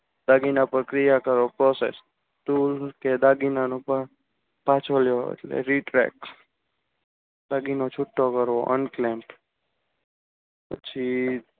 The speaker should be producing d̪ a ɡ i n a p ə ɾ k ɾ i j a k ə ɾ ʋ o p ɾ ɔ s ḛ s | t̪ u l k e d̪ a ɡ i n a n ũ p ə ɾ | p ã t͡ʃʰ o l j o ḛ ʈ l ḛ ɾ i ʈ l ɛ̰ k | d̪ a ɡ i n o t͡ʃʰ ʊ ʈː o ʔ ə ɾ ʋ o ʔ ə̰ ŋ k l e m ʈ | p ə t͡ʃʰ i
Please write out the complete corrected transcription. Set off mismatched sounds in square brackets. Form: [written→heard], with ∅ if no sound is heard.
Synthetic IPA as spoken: d̪ a ɡ i n a p ə ɾ k ɾ i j a k ə ɾ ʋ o p ɾ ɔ s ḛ s | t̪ u l k e d̪ a ɡ i n a n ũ p ə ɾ | p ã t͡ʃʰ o l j o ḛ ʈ l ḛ ɾ i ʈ [l→ɾ] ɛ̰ k | d̪ a ɡ i n o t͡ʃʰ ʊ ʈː o [ʔ→k] ə ɾ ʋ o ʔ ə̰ [ŋ→n] k l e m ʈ | p ə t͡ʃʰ i